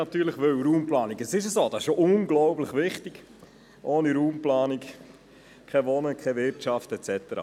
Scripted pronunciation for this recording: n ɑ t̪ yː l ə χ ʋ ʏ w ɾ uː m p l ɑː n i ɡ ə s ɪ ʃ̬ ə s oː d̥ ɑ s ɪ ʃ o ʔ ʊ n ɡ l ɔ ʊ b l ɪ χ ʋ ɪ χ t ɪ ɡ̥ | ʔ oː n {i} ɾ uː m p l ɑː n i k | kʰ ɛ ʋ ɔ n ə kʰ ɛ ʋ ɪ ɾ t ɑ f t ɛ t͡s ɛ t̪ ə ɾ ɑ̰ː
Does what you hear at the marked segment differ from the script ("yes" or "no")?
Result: no